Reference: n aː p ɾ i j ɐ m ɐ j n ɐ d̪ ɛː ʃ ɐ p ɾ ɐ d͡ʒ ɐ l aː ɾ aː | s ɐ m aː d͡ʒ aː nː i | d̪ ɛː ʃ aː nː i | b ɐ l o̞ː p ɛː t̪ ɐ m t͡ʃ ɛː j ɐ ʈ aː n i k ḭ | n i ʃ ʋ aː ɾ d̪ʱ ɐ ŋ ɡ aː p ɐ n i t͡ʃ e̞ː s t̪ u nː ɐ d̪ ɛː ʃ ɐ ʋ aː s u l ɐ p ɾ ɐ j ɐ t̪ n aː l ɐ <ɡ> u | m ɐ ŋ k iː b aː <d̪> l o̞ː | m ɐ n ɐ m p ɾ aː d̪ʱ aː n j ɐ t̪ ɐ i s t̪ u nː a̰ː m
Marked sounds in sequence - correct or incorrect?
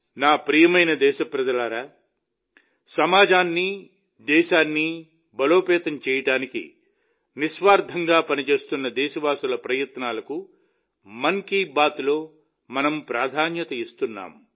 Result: incorrect: k, incorrect: t̪

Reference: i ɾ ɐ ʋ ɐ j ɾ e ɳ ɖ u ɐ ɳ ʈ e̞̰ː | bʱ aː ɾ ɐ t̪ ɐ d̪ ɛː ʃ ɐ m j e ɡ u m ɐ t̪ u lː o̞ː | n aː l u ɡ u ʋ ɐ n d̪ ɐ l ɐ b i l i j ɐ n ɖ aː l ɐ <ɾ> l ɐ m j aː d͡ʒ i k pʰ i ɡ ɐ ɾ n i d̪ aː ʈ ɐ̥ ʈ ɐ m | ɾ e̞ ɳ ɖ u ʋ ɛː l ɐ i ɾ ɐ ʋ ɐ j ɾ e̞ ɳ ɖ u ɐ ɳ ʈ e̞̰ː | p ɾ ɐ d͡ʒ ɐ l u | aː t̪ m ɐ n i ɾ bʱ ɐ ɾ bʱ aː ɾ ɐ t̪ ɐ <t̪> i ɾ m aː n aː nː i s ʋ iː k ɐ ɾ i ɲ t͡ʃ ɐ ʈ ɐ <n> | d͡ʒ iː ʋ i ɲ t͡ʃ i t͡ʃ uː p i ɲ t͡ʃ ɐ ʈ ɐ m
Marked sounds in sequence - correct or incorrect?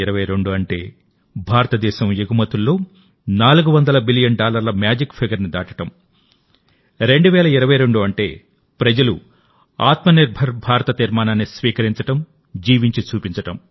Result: correct, correct, incorrect: m

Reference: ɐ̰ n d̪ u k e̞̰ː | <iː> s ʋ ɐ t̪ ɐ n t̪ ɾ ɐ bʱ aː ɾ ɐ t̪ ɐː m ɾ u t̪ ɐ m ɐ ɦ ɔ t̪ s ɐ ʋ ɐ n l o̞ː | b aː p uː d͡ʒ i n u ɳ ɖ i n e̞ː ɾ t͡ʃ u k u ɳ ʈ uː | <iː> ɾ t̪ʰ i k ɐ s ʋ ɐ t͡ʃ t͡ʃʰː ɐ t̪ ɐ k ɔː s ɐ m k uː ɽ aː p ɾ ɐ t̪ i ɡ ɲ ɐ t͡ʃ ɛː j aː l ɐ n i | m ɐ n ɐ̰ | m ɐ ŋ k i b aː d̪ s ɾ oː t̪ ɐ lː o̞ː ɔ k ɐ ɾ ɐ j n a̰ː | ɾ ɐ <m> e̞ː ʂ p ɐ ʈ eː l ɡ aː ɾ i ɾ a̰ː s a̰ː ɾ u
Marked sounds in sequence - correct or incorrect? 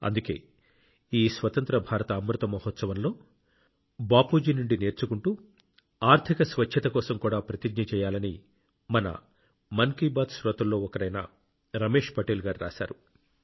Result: correct, incorrect: aː, correct

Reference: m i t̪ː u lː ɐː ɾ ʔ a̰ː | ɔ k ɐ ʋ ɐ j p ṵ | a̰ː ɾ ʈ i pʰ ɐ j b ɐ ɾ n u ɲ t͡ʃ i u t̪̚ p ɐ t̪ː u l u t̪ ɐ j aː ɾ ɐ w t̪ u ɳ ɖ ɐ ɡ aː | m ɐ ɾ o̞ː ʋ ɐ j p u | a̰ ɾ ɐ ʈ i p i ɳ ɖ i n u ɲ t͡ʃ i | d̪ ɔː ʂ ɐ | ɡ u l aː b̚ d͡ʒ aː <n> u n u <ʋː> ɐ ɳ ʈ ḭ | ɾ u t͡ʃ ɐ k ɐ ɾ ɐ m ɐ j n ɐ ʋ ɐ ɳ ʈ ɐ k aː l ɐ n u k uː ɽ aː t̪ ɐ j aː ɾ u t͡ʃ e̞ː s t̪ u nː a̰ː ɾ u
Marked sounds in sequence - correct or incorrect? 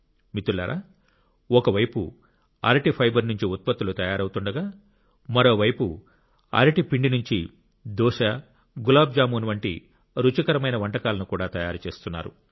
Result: incorrect: m, incorrect: ʋ

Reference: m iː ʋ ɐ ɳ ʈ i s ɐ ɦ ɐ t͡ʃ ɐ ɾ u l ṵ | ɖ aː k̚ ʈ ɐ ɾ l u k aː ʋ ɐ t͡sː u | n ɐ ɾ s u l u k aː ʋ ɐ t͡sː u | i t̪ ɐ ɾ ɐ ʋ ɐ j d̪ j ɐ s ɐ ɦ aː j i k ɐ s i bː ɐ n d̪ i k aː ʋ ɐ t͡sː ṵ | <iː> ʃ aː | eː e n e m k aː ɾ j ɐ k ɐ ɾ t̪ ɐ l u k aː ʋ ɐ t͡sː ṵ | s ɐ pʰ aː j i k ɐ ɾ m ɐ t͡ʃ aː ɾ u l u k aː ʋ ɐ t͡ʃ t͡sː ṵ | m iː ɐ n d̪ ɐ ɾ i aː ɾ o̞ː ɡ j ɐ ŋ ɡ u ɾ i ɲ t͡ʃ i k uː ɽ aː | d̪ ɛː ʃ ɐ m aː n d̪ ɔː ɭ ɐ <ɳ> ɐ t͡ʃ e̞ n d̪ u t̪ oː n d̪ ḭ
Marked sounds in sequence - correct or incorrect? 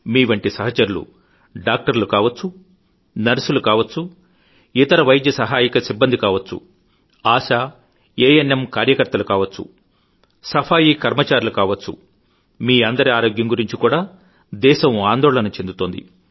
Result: incorrect: aː, incorrect: n

